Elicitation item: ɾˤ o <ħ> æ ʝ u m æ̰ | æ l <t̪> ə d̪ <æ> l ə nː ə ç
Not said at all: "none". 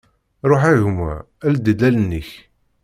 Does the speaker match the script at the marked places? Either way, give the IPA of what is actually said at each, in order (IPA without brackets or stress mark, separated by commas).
ħ, d̪, æ